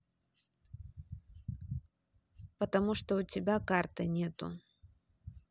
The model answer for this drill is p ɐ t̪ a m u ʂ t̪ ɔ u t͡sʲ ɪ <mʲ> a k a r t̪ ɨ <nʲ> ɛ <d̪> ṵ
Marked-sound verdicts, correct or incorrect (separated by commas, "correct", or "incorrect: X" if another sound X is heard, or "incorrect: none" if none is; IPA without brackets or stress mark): incorrect: bʲ, correct, incorrect: t̪